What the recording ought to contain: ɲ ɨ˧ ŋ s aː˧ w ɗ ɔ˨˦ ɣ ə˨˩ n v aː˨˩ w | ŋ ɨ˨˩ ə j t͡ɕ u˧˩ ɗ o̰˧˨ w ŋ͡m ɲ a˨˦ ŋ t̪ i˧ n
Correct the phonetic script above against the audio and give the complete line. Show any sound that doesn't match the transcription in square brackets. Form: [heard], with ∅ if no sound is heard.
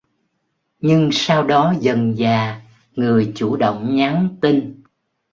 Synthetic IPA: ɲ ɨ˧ ŋ s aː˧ w ɗ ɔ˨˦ [z] ə˨˩ n [z] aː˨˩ [∅] | ŋ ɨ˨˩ ə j t͡ɕ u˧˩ ɗ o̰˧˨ w ŋ͡m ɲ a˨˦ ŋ t̪ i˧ n

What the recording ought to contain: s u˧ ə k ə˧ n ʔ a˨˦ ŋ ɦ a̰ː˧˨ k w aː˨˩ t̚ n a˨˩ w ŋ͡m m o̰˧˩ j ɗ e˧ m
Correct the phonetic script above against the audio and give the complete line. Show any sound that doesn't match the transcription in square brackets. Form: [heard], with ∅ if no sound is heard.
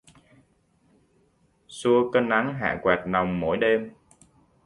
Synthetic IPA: s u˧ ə k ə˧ n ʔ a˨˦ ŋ ɦ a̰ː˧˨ k w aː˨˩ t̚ n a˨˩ w ŋ͡m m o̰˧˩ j ɗ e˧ m

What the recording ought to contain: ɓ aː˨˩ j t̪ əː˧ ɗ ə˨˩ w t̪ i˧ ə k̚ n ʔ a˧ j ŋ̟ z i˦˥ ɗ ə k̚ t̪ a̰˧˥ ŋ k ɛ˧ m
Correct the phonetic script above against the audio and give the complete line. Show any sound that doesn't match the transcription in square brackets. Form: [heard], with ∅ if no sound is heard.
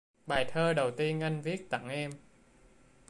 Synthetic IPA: ɓ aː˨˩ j [t̪ʰ] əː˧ ɗ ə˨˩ w t̪ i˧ ə [∅] n ʔ a˧ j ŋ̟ [v] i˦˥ [∅] ə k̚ t̪ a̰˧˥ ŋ [ʔ] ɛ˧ m

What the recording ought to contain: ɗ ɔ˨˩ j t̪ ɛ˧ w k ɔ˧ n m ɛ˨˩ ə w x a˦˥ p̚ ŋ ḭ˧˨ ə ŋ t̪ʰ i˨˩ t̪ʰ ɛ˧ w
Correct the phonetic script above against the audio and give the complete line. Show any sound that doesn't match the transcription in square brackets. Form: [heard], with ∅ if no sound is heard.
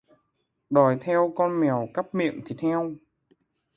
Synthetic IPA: ɗ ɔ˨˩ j [t̪ʰ] ɛ˧ w k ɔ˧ n m ɛ˨˩ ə w [k] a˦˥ p̚ [m] ḭ˧˨ ə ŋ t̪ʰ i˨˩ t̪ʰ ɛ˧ w

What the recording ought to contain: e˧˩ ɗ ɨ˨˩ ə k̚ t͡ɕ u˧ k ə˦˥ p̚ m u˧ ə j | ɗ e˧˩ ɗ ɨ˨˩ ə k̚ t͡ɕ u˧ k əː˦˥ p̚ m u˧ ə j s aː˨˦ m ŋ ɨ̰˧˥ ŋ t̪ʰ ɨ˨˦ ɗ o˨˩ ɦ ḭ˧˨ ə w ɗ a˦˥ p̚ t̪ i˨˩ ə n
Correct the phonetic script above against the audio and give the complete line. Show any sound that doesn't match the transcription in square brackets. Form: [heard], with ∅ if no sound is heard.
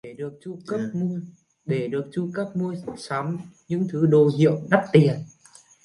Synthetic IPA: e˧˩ ɗ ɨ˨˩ ə k̚ t͡ɕ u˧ k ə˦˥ p̚ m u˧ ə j | ɗ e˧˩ ɗ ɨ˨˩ ə k̚ t͡ɕ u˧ k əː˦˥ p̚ m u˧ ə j s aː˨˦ m [ɲ] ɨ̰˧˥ ŋ t̪ʰ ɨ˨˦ ɗ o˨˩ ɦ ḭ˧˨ ə w ɗ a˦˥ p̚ t̪ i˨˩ ə n

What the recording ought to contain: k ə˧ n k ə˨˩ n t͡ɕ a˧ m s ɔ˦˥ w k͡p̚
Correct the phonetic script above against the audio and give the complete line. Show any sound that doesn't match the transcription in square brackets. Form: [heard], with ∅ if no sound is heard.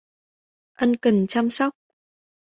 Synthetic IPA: [ʔ] ə˧ n k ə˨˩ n t͡ɕ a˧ m s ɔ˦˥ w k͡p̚

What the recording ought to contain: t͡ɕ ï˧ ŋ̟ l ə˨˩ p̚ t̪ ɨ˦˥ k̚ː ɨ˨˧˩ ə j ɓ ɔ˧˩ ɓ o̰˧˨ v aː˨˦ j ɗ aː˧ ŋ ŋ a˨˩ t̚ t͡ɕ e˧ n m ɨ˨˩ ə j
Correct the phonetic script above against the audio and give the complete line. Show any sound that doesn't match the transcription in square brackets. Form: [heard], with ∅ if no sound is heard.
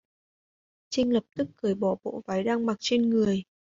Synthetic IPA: t͡ɕ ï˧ ŋ̟ l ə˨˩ p̚ t̪ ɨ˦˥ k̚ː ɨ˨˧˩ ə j ɓ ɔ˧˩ ɓ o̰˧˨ v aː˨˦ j ɗ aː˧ ŋ [m] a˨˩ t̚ t͡ɕ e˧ n [ŋ] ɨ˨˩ ə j

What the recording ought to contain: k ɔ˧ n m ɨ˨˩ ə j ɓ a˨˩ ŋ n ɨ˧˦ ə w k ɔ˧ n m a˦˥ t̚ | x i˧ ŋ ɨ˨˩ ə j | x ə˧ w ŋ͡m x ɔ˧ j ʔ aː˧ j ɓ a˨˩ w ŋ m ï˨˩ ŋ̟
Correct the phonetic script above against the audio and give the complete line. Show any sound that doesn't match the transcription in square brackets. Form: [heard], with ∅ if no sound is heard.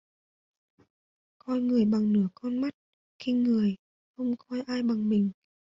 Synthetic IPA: k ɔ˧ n [ŋ] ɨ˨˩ ə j ɓ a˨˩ ŋ n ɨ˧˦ ə [∅] k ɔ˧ n m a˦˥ t̚ | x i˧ ŋ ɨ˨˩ ə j | x ə˧ w ŋ͡m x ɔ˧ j ʔ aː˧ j ɓ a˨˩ [∅] ŋ m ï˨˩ ŋ̟

